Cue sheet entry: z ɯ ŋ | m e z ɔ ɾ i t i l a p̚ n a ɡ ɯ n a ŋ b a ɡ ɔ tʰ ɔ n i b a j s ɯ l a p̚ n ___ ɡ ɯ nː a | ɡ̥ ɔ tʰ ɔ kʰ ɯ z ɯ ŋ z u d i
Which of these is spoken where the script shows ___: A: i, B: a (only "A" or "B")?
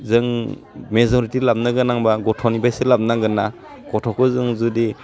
B